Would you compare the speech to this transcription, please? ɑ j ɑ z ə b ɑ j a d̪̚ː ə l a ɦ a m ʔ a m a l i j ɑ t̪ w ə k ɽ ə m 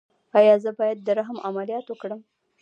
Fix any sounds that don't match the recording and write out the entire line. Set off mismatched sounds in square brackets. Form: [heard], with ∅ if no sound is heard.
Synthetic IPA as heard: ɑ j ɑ z ə b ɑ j a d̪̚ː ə [ɾ] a ɦ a m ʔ a m a l i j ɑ t̪ w ə k ɽ ə m